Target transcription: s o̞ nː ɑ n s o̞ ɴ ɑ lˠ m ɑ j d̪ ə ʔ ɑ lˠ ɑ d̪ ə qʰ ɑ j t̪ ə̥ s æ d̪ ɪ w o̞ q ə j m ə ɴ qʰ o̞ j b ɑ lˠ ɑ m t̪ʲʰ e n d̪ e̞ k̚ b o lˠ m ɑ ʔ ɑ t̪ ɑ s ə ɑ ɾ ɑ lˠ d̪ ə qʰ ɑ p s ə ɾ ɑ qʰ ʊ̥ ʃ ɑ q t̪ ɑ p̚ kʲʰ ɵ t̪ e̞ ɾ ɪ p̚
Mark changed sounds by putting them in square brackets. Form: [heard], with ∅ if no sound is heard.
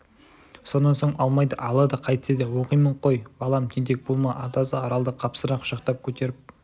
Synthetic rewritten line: s o̞ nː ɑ n s o̞ ɴ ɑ lˠ m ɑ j d̪ ə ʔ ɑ lˠ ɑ d̪ ə qʰ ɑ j t̪ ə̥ s [e] d̪ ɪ w o̞ q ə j m ə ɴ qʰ o̞ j b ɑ lˠ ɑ m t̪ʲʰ e n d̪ e̞ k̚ b o lˠ m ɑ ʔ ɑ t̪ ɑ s ə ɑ ɾ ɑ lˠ d̪ ə qʰ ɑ p s ə ɾ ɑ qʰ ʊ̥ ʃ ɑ q t̪ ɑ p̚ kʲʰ ɵ t̪ e̞ ɾ ɪ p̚